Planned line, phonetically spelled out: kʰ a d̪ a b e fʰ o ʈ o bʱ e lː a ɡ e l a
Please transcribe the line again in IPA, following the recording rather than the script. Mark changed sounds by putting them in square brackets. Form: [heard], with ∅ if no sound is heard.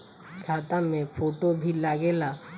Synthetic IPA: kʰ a [t̪] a [m] e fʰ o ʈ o bʱ [i] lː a ɡ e l a